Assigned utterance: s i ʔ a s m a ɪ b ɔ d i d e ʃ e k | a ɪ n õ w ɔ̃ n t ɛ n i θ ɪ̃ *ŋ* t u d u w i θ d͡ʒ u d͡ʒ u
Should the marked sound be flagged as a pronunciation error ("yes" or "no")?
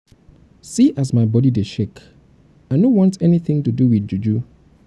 no